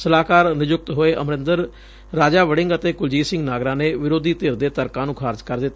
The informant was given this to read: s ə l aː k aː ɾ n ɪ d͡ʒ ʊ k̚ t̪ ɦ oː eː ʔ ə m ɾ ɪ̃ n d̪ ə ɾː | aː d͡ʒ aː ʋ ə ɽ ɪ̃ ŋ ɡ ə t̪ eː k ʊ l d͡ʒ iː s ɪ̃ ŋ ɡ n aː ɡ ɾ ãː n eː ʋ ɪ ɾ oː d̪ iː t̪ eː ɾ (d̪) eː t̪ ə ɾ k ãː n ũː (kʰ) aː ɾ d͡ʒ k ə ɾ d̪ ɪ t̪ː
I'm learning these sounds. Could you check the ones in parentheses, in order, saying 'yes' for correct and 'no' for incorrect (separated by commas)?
yes, yes